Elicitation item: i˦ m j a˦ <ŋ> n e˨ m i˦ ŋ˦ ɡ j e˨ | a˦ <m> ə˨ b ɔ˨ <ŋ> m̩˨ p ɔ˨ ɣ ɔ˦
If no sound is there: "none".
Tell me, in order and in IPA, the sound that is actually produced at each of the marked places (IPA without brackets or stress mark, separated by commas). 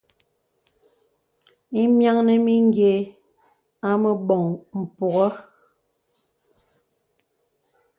ŋ, m, ŋ